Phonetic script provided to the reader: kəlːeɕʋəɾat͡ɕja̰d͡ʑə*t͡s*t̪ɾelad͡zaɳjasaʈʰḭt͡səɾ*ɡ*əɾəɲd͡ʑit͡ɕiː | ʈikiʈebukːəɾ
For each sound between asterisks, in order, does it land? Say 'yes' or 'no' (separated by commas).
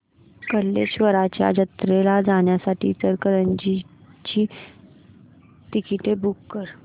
no, no